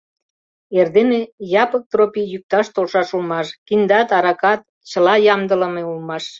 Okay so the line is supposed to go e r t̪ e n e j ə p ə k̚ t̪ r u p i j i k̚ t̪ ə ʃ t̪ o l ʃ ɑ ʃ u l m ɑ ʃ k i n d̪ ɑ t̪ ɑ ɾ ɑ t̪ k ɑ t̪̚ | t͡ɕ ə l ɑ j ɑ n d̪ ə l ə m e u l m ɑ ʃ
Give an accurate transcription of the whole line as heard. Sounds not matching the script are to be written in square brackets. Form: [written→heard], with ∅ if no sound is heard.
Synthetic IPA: e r [t̪→d̪] e n e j [ə→ɑ] p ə k̚ t̪ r [u→o] p i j [i→y] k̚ t̪ [ə→ɑ] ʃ t̪ o l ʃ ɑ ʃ u l m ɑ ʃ k i n d̪ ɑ t̪ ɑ ɾ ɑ [t̪→∅] k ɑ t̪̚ | t͡ɕ ə l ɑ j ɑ [n→m] d̪ ə l ə m e u l m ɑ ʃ